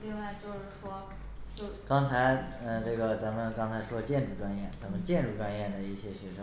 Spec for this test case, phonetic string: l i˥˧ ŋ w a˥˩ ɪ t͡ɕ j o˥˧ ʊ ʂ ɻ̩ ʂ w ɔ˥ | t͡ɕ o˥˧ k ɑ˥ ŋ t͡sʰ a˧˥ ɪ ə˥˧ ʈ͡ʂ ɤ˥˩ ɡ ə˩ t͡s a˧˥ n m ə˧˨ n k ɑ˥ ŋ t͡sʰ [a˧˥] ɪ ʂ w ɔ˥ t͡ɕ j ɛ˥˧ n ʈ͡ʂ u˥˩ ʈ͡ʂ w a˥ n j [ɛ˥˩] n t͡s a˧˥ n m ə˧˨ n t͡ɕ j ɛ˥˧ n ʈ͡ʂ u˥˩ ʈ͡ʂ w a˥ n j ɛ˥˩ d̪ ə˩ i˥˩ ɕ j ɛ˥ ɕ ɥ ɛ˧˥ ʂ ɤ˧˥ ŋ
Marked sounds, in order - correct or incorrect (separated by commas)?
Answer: correct, correct